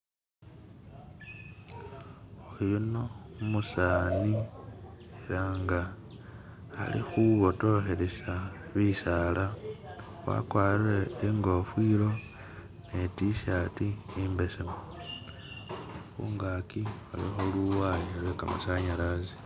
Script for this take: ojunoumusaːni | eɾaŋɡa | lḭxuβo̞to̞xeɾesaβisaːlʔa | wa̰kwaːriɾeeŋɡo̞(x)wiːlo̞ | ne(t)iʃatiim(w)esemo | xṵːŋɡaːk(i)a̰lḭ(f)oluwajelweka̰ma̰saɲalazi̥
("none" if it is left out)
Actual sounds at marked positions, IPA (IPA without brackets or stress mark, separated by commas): f, t, b, i, x